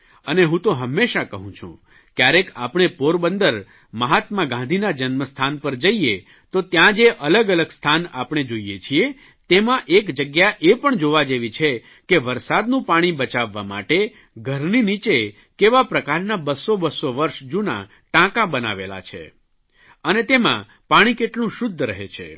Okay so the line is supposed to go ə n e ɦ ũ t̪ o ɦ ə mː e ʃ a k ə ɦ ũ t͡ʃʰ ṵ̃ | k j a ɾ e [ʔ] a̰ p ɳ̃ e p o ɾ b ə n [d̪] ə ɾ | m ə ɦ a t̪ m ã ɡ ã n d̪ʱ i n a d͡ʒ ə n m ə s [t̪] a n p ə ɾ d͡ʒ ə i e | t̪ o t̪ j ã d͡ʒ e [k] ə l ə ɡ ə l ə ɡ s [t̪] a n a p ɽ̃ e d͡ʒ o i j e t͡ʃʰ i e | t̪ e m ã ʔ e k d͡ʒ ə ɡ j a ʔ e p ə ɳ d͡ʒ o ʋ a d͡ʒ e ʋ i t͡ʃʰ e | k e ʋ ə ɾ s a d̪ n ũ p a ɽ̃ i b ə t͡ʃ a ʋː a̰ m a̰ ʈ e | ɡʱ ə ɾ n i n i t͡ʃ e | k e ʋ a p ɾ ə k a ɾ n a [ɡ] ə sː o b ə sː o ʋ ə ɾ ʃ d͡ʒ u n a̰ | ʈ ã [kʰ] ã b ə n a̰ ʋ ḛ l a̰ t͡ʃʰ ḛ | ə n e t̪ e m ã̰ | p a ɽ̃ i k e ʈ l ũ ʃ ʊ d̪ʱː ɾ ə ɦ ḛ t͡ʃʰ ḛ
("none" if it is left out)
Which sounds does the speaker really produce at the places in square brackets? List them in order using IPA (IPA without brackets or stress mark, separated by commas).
k, d̪, t̪ʰ, ʔ, t̪ʰ, b, k